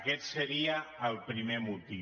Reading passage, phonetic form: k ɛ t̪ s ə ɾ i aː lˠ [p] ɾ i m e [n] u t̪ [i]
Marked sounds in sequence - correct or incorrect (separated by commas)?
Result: correct, incorrect, correct